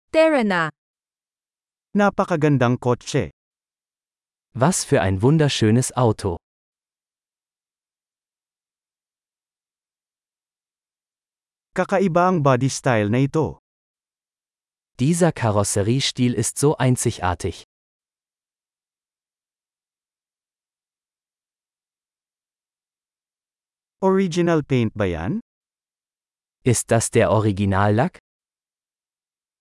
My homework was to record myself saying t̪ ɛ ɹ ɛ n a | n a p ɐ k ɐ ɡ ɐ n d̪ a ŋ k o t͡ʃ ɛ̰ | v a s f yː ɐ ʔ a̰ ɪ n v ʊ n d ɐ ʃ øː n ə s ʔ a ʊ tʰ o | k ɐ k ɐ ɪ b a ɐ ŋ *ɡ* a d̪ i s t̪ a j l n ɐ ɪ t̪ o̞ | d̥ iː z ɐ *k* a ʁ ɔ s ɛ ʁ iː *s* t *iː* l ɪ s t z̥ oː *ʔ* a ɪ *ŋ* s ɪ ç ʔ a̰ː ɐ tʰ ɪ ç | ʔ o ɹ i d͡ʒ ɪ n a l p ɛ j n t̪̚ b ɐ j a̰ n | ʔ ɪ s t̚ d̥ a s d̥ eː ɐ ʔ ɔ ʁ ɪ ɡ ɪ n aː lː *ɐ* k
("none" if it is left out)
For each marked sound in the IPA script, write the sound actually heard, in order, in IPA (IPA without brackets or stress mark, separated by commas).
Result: b, kʰ, ʃ, iː, ʔ, n, a